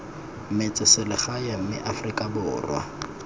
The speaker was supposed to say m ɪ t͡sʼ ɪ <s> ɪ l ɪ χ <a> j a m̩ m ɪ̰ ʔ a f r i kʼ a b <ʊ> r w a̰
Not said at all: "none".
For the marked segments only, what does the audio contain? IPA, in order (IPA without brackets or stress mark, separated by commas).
s, a, ʊː